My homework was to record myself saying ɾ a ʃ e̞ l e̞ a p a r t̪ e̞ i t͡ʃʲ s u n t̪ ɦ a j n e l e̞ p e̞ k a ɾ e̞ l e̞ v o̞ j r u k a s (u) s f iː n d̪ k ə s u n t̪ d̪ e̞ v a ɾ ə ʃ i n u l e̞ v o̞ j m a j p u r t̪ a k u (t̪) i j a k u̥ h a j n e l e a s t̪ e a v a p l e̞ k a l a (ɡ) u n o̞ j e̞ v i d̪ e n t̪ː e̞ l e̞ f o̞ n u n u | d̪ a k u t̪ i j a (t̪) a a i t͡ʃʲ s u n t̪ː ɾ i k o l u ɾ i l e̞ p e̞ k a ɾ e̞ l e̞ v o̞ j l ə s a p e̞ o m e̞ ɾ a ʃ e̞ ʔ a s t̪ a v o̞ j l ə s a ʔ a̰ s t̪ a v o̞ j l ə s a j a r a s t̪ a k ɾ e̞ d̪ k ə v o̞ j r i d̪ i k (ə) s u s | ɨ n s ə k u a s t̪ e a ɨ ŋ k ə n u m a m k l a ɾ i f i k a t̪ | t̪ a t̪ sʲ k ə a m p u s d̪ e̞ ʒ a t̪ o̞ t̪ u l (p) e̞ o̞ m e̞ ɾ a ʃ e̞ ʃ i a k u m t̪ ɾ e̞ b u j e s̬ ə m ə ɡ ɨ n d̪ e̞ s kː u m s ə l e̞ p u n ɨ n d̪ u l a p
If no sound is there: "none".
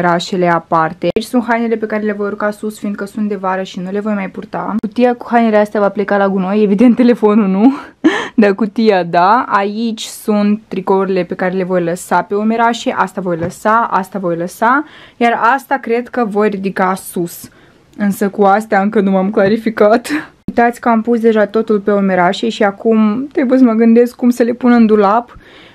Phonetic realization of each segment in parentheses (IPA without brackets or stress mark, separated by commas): u, t̪, ɡ, d̪, a, p